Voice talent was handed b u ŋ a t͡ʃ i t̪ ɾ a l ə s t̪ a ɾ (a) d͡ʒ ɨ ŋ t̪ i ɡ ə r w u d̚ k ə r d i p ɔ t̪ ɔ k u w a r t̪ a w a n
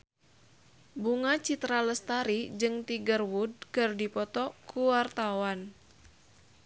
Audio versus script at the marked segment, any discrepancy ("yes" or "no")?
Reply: yes